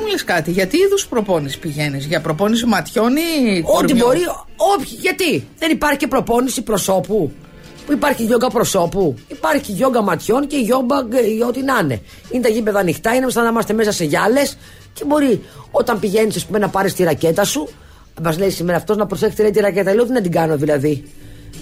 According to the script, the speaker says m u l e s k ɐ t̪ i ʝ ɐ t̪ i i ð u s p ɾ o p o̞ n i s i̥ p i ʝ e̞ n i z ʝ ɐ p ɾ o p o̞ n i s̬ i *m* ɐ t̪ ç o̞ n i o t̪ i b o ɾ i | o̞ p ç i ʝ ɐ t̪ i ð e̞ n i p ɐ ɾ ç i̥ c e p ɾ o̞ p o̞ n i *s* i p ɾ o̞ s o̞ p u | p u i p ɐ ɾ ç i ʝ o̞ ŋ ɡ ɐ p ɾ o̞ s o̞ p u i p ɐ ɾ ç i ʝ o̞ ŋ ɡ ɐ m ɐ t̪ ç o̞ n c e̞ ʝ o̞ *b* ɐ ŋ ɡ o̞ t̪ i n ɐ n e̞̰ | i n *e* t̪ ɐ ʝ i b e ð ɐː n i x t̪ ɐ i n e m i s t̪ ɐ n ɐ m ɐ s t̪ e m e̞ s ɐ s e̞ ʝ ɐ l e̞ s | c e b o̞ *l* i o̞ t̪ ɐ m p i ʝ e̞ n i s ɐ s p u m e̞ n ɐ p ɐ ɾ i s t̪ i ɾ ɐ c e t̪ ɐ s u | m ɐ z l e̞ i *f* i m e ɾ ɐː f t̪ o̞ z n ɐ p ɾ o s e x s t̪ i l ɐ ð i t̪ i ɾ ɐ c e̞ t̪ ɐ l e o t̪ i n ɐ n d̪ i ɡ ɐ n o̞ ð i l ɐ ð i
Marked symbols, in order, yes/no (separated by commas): yes, yes, yes, yes, no, no